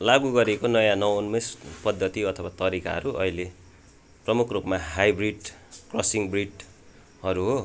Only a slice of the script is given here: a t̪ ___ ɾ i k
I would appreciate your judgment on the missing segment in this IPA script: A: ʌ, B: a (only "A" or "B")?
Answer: A